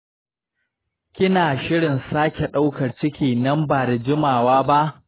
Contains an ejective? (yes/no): no